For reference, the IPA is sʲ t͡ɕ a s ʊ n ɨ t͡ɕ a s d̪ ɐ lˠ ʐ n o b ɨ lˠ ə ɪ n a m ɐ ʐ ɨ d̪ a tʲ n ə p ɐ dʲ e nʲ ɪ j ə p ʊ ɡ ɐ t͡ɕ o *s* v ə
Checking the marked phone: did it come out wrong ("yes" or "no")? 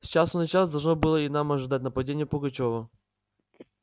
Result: yes